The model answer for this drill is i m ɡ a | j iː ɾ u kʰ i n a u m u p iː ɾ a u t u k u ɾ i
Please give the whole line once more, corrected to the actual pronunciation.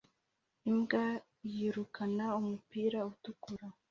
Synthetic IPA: i m ɡ a | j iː ɾ u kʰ a n a u m u p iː ɾ a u t u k u ɾ a